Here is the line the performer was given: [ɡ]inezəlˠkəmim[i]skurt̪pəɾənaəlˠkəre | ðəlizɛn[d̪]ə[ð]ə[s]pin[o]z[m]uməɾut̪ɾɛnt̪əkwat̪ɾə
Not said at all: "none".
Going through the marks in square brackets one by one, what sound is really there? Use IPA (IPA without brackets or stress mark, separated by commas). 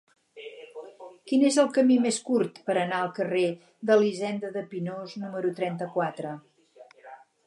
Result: k, e, d̪, ð, none, o, n